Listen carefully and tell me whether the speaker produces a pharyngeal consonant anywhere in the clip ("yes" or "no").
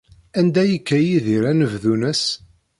no